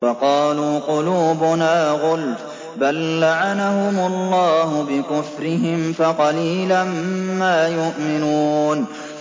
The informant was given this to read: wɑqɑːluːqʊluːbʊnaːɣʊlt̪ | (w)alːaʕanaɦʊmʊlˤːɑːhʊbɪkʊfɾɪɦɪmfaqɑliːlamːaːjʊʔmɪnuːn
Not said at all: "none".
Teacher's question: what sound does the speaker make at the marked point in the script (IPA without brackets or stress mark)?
b